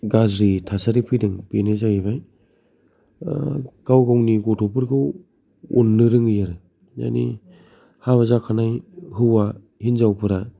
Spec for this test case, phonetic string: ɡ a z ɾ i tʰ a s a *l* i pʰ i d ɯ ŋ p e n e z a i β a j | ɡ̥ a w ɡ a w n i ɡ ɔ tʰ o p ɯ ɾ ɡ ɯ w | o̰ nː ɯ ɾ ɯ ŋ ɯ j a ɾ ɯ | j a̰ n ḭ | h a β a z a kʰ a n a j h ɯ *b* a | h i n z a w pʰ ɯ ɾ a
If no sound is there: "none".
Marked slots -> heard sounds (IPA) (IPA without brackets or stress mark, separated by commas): ɾ, w